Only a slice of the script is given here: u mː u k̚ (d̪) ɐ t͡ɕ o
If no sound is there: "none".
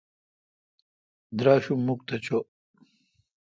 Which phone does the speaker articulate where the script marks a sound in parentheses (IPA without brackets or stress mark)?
t̪